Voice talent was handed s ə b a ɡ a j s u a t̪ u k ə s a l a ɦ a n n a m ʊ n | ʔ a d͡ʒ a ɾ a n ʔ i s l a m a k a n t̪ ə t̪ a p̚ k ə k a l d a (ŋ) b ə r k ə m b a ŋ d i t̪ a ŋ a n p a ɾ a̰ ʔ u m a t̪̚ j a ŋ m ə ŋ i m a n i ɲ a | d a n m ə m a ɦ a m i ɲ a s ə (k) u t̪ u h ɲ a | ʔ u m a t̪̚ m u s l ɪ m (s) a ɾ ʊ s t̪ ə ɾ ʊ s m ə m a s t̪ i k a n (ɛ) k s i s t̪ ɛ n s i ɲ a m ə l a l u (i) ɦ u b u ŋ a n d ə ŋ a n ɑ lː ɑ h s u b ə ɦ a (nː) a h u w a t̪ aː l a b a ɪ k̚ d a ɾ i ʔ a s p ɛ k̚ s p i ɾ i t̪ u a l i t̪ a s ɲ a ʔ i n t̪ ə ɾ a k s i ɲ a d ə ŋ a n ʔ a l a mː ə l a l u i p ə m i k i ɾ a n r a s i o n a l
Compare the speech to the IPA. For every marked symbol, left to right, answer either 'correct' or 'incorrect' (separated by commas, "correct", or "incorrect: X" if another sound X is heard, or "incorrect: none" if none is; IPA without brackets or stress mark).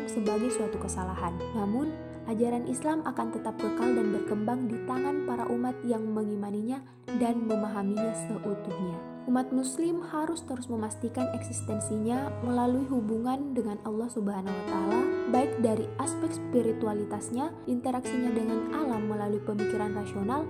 incorrect: n, incorrect: ʔ, incorrect: h, correct, correct, incorrect: n